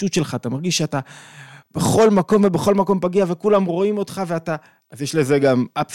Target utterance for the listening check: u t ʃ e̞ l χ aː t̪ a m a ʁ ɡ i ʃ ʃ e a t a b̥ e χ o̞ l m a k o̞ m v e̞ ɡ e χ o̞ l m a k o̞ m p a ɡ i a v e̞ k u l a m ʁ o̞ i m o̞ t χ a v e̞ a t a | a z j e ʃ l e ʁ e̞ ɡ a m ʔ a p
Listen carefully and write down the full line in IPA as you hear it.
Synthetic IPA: u t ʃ e̞ l χ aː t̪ a m a ʁ ɡ i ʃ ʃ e a t a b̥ e χ o̞ l m a k o̞ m v e̞ b e χ o̞ l m a k o̞ m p a ɡ i a v e̞ k u l a m ʁ o̞ i m o̞ t χ a v e̞ a t a | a z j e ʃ l e z e̞ ɡ a m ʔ a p